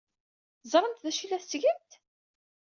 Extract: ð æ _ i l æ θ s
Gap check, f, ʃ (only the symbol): ʃ